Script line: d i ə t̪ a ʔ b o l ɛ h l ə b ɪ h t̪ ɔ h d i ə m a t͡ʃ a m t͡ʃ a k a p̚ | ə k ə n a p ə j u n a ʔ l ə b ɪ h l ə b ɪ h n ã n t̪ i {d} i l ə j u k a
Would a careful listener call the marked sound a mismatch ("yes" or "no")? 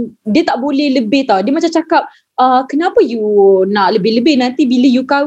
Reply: yes